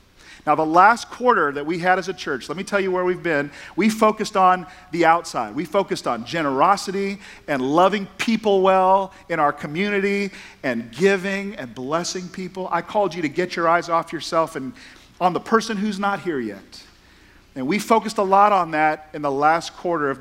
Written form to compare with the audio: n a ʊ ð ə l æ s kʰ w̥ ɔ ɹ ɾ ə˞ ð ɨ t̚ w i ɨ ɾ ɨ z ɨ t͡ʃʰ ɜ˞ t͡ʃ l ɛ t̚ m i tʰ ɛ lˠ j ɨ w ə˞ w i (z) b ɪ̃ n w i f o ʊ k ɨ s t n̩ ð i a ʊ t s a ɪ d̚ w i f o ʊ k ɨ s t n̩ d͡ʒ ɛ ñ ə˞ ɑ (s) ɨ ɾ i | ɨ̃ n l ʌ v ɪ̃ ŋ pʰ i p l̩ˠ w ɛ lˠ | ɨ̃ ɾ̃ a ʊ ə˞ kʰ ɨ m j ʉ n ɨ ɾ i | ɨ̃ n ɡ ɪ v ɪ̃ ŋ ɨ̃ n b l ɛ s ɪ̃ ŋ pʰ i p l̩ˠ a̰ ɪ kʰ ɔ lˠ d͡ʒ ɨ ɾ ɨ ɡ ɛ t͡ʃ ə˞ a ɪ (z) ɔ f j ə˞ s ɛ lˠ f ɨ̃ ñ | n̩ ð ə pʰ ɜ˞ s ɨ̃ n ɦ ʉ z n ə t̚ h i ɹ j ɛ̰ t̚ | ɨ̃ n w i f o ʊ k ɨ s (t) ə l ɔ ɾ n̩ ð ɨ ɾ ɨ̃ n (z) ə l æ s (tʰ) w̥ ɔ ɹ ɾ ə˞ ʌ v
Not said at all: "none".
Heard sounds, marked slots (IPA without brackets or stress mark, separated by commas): v, s, z, t, ð, kʰ